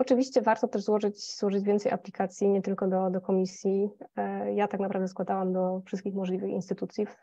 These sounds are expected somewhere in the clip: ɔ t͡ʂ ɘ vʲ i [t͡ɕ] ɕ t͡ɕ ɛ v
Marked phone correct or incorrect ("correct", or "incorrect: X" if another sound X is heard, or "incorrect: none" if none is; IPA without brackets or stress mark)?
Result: incorrect: none